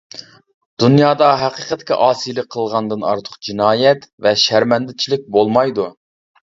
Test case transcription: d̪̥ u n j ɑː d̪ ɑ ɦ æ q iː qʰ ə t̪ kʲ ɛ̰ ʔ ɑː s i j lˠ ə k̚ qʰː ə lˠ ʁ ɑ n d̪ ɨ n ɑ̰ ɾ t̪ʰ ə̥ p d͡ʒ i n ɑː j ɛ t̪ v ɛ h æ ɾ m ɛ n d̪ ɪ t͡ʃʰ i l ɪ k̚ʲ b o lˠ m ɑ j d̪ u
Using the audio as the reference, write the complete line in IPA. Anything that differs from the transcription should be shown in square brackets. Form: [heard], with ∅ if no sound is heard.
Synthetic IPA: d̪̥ u n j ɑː d̪ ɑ ɦ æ q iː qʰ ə t̪ kʲ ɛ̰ ʔ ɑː s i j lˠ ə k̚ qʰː ə lˠ ʁ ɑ n d̪ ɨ n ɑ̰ ɾ t̪ʰ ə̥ [q] d͡ʒ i n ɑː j ɛ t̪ v ɛ [ʃ] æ ɾ m ɛ n d̪ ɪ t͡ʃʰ i l ɪ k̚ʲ b o lˠ m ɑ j d̪ u